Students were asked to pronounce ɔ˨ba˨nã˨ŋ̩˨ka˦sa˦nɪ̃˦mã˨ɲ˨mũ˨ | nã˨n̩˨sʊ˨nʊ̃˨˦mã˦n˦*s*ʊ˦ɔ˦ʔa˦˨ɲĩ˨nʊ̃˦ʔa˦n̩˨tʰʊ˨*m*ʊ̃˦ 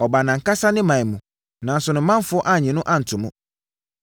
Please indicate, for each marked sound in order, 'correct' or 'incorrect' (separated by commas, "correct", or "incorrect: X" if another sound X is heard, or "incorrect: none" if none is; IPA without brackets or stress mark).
incorrect: f, correct